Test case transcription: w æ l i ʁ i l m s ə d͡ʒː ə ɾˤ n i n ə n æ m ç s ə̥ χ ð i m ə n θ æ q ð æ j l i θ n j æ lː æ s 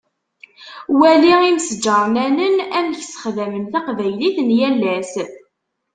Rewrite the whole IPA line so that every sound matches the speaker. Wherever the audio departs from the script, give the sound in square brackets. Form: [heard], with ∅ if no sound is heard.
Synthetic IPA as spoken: w æ l i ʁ i [∅] m s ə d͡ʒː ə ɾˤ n [æ] n ə n æ m ç s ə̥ χ ð [æ] m ə n θ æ q [v] æ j l i θ n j æ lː æ s